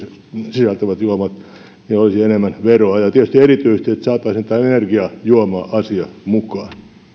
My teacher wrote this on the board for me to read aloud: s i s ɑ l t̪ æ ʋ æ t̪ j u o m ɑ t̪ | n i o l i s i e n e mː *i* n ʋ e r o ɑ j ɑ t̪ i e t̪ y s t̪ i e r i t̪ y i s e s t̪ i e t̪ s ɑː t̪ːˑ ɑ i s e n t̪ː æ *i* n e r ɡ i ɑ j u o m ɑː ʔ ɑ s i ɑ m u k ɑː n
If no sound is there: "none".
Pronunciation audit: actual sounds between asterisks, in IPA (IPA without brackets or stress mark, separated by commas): æ, e